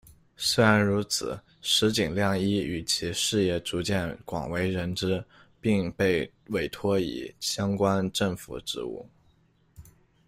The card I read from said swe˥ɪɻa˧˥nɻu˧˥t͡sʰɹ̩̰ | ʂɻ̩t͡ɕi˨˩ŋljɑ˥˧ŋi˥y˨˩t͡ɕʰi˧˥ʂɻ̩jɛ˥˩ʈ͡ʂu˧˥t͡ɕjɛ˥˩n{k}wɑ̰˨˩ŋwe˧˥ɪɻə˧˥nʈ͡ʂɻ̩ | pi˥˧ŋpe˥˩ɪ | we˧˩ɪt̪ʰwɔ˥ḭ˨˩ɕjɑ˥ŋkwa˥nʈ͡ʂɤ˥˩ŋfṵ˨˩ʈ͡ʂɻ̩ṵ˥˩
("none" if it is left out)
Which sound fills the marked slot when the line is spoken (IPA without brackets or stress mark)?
k